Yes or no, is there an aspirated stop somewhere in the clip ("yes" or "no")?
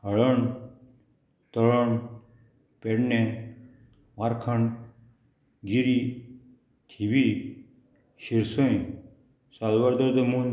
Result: yes